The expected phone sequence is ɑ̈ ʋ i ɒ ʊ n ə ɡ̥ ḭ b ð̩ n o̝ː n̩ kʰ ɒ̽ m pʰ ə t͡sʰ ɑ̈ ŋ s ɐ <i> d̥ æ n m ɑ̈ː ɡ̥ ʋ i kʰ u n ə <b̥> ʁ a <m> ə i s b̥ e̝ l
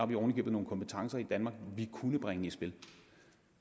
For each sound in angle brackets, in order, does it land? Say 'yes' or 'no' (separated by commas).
yes, yes, no